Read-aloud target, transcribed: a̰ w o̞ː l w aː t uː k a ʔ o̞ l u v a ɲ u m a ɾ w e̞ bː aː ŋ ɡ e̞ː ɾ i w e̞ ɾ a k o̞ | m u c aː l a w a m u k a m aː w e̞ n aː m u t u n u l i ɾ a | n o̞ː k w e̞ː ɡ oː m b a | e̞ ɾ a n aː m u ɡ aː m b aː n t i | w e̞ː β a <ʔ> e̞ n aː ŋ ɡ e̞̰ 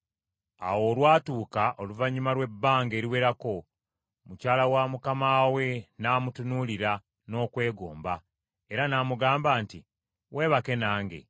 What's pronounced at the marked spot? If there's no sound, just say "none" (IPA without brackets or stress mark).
k